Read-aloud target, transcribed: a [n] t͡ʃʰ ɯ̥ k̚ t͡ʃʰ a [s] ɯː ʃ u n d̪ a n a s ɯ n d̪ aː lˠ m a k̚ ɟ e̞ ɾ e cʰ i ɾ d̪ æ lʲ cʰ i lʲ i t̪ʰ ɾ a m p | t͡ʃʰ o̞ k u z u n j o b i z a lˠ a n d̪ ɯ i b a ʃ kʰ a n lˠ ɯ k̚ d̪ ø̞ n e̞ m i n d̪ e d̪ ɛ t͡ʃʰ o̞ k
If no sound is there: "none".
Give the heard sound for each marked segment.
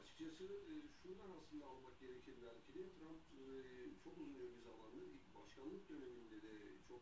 none, s

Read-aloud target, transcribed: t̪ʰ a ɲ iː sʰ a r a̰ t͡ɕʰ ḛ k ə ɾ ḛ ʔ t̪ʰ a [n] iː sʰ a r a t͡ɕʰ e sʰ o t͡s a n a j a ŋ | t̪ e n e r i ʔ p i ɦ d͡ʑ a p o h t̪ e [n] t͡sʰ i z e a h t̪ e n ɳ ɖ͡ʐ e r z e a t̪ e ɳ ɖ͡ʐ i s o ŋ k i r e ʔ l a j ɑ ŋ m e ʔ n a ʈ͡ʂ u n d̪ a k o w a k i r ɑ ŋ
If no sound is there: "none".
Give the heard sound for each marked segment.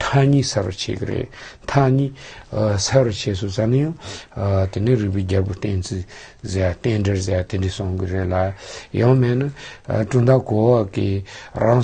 ɲ, n

